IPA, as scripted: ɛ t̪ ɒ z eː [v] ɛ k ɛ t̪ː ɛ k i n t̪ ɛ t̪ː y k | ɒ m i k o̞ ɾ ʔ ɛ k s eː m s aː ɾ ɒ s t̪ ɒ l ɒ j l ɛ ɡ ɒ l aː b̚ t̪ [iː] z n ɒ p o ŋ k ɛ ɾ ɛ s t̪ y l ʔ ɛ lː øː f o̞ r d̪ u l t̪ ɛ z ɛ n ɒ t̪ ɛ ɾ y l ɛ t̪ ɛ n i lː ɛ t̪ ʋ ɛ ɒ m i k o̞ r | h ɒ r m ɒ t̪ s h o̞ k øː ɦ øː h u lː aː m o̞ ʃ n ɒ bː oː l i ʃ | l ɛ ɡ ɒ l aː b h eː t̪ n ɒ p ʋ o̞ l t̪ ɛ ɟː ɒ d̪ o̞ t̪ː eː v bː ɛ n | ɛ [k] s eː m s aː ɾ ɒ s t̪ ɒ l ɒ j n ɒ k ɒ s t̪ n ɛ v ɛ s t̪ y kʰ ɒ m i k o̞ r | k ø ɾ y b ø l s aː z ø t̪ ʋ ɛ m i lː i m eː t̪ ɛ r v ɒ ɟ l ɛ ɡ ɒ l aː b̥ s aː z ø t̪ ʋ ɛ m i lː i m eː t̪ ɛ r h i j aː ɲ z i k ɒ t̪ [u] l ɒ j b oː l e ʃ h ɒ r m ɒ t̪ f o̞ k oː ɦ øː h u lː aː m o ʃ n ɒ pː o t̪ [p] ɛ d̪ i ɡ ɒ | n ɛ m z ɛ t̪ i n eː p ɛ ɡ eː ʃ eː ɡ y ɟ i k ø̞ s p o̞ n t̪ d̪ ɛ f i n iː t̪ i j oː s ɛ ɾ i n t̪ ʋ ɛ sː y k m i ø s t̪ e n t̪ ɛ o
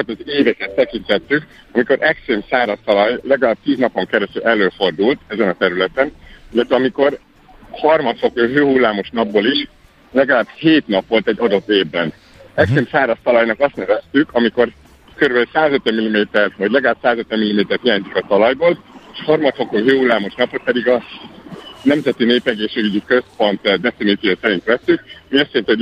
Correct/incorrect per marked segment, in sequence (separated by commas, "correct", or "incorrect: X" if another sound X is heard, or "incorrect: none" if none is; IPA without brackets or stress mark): correct, correct, correct, incorrect: ɒ, correct